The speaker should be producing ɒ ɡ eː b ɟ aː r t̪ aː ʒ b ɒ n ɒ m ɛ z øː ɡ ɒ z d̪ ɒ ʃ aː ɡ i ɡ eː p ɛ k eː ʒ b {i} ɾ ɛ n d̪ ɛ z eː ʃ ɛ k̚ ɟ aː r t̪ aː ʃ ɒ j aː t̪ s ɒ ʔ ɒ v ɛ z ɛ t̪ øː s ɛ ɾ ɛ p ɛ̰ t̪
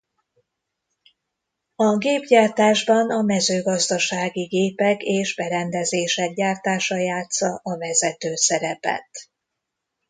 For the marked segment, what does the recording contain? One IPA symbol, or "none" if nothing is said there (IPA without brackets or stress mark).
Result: ɛ